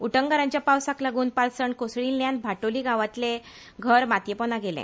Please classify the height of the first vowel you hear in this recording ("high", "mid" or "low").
high